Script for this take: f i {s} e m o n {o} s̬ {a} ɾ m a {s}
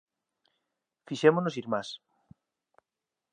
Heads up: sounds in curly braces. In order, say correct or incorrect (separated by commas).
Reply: incorrect, correct, incorrect, correct